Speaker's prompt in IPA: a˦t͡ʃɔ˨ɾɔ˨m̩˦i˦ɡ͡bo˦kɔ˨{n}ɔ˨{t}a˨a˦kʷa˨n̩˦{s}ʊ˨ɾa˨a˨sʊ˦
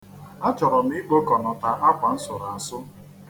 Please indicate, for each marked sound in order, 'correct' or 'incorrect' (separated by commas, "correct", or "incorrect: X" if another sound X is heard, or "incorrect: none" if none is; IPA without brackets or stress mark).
correct, correct, correct